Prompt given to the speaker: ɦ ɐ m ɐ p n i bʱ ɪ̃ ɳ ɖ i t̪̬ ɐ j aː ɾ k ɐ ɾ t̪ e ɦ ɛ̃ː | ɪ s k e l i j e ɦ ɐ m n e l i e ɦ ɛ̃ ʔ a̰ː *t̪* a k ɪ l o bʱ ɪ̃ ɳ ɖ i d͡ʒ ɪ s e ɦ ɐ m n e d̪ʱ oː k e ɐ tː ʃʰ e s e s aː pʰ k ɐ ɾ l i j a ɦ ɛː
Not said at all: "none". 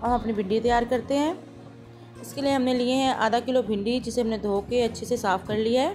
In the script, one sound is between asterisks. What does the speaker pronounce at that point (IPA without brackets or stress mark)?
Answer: d̪